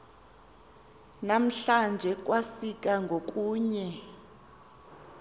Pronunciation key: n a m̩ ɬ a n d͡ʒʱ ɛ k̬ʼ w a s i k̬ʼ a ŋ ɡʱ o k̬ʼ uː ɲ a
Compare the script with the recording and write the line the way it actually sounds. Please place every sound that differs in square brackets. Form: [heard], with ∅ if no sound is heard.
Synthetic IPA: n a m̩ ɬ a n d͡ʒʱ ɛ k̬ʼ w a s i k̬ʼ a ŋ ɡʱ o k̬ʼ uː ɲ [ɛ]